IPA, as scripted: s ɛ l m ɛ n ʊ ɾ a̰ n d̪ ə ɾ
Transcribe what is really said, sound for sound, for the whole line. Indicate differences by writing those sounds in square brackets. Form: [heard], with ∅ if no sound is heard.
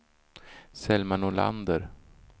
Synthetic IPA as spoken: s ɛ l m [a] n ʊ [l] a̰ n d̪ ə ɾ